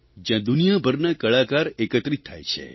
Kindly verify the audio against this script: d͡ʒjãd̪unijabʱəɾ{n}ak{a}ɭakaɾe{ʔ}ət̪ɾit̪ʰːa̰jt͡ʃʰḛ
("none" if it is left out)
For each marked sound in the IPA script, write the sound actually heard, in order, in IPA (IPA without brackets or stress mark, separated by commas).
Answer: n, ə, k